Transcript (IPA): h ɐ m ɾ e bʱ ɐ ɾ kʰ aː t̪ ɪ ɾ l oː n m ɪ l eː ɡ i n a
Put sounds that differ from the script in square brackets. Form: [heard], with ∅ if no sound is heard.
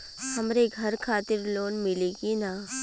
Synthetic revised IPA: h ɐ m ɾ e [ɡʱ] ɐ ɾ kʰ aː t̪ ɪ ɾ l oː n m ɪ l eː ɡ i n a